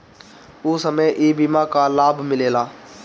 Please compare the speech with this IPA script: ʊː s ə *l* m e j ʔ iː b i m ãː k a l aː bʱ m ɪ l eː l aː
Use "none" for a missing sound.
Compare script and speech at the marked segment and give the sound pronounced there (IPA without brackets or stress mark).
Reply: none